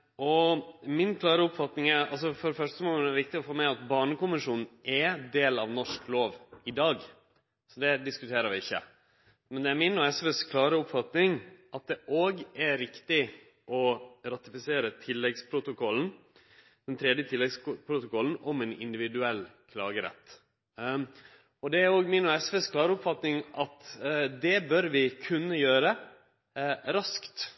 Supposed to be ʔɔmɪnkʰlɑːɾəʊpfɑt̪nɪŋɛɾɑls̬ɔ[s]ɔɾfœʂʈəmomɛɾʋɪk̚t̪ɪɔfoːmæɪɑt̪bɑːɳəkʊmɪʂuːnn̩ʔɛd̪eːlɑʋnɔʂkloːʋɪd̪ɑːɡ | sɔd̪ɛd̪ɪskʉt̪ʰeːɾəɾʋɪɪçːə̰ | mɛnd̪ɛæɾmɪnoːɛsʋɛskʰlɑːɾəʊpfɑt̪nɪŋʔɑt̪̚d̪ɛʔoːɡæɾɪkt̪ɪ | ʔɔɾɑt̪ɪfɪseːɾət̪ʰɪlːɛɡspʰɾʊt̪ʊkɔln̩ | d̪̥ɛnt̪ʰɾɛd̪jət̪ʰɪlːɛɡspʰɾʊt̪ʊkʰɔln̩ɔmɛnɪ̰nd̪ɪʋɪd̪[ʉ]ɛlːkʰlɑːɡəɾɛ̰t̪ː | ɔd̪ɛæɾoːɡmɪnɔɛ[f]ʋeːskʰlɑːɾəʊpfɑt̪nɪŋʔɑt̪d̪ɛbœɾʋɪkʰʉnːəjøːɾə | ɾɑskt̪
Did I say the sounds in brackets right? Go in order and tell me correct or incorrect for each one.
incorrect: f, correct, incorrect: s

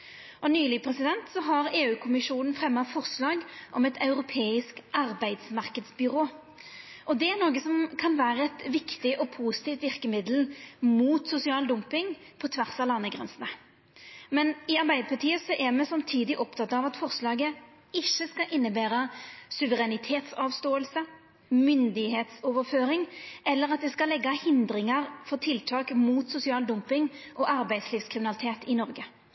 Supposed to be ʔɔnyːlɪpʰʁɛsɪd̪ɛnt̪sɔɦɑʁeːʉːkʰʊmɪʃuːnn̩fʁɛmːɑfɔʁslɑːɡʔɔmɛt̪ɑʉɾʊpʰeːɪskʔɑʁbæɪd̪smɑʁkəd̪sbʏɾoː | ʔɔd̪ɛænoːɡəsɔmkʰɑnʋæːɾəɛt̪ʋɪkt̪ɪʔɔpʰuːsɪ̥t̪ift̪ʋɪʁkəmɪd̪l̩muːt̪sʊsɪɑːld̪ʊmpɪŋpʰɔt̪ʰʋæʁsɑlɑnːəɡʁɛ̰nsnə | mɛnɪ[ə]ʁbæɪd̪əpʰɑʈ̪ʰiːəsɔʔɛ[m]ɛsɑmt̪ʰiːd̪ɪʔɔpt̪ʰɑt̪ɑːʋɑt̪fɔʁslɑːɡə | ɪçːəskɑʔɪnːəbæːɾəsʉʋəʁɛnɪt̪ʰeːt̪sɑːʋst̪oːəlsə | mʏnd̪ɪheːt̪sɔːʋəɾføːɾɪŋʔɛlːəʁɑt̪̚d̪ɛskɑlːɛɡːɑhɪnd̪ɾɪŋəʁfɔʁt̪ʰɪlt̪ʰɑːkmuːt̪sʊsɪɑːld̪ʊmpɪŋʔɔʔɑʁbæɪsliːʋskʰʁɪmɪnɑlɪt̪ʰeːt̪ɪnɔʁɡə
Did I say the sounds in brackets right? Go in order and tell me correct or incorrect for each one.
incorrect: ɑ, correct

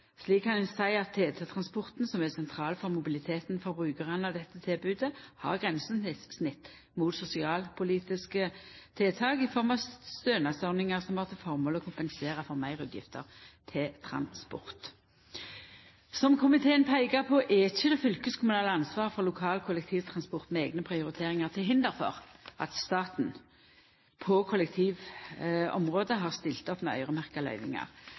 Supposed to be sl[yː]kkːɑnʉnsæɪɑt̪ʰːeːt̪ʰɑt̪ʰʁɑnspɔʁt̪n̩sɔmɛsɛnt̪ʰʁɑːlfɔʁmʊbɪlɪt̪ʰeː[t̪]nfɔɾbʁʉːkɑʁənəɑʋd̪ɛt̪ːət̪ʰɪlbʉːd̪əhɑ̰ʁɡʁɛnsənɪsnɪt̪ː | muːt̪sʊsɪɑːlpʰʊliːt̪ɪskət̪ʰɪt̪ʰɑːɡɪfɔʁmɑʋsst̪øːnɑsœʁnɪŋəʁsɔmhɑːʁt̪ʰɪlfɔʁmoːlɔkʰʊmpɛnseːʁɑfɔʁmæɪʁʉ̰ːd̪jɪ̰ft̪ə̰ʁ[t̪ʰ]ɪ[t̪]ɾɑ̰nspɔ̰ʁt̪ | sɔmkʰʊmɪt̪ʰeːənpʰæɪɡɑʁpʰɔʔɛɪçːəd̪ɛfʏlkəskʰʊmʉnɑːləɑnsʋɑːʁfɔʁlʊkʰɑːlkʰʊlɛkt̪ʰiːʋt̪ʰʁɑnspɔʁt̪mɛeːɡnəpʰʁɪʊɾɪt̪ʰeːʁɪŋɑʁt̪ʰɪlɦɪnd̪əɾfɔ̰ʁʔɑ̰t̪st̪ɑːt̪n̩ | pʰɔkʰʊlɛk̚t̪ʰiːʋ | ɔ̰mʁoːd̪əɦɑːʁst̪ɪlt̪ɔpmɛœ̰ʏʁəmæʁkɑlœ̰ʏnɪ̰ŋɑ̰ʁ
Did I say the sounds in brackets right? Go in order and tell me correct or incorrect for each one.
incorrect: iː, correct, correct, incorrect: t̪ʰ

